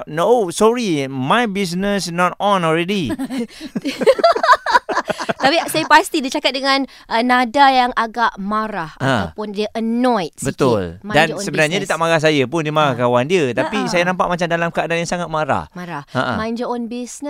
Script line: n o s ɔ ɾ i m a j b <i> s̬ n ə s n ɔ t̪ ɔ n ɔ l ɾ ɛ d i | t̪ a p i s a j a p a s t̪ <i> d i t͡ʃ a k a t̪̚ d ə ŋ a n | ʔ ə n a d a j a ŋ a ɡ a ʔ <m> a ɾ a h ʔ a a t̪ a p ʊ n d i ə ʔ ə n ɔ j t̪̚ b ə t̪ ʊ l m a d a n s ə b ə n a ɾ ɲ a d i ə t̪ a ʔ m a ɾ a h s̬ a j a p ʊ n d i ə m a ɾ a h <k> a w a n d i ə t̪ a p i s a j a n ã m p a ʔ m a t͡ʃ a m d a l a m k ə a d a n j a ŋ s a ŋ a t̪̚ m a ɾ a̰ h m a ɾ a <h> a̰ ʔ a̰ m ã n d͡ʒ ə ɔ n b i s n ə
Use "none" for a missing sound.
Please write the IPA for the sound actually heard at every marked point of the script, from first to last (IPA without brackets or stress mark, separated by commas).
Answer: i, i, m, k, h